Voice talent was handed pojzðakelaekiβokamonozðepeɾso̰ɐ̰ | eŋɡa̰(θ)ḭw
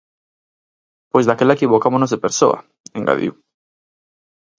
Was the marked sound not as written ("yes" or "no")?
yes